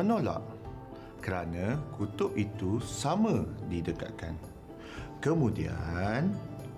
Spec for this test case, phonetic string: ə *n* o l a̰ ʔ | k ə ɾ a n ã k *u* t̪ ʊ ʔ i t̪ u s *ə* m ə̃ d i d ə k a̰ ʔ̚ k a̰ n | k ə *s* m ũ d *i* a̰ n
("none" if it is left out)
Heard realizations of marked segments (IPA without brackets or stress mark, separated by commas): n, u, a, none, i